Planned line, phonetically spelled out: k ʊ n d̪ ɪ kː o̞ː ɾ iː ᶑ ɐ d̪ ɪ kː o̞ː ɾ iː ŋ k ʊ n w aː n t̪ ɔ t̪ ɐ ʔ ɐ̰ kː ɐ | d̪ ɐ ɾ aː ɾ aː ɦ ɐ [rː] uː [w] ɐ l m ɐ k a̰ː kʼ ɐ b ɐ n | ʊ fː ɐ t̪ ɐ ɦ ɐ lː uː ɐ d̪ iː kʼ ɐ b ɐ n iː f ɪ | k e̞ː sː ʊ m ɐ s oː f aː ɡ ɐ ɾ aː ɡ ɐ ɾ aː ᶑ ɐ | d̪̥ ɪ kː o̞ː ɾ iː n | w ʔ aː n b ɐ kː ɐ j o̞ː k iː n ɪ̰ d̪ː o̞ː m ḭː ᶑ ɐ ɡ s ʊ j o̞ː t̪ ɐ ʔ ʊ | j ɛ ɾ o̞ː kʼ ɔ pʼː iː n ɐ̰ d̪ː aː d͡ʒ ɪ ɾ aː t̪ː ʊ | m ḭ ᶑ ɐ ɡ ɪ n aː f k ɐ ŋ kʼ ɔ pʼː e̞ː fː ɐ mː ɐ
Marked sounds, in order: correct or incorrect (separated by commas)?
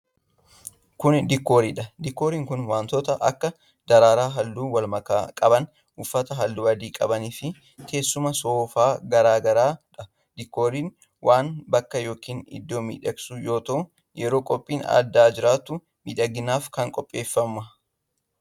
incorrect, correct